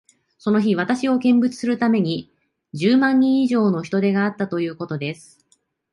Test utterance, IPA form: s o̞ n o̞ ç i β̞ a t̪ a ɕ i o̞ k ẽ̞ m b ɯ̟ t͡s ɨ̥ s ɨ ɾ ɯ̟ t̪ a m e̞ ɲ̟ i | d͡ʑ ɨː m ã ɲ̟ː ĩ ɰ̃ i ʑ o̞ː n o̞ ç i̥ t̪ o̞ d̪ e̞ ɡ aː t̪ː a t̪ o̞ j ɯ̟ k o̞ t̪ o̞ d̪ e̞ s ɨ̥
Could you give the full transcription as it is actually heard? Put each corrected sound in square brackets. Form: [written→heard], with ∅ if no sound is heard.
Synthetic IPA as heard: s o̞ n o̞ ç i β̞ a t̪ a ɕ i o̞ k ẽ̞ m b ɯ̟ t͡s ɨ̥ s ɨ ɾ ɯ̟ t̪ a m e̞ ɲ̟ i | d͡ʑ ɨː m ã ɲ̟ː ĩ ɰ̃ i ʑ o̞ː n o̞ ç i̥ t̪ o̞ d̪ e̞ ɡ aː t̪ː a t̪ o̞ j [ɯ̟→ɯ̟ː] k o̞ t̪ o̞ d̪ e̞ s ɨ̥